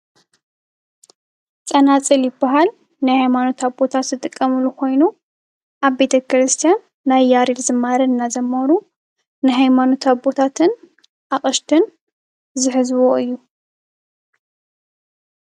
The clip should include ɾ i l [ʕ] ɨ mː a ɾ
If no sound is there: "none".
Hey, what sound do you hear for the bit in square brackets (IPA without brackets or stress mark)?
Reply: z